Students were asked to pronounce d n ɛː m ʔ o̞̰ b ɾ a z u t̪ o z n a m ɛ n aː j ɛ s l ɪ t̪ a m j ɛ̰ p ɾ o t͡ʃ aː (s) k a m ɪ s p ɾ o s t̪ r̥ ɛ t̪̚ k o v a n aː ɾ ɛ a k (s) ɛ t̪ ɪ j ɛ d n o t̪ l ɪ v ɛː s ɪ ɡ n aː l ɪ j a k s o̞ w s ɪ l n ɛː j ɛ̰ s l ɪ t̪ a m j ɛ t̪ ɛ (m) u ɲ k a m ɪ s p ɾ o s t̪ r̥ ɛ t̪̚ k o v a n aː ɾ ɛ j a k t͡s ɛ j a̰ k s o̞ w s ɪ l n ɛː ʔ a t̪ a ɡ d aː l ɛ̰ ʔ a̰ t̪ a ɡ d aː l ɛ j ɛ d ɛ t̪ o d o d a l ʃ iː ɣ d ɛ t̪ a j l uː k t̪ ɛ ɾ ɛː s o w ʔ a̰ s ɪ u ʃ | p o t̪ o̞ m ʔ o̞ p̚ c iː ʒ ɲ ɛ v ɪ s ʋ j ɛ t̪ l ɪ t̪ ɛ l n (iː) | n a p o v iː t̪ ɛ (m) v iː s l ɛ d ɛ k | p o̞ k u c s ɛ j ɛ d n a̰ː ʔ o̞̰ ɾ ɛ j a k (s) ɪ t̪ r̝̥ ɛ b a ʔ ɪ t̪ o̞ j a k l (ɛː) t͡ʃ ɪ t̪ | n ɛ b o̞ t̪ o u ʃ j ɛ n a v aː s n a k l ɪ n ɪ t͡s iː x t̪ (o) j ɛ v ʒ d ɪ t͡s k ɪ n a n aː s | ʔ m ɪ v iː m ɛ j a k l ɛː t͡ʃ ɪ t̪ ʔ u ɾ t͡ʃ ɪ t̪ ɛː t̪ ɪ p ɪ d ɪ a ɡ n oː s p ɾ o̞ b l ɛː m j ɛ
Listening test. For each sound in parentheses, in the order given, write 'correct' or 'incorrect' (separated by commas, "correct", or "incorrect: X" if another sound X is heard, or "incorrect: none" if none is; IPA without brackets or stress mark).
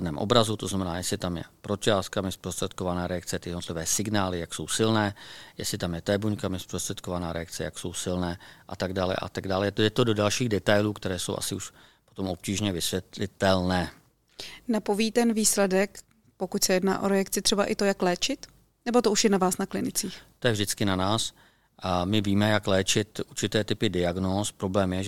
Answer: correct, incorrect: t͡s, incorrect: b, incorrect: ɛː, incorrect: n, incorrect: t͡s, correct, correct